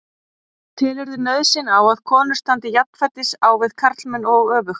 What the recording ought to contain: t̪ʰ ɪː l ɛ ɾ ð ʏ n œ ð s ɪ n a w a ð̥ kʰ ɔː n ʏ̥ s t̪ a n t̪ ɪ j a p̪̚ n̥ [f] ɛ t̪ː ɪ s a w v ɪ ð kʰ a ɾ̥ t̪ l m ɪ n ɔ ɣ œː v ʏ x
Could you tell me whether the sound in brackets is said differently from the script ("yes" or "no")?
no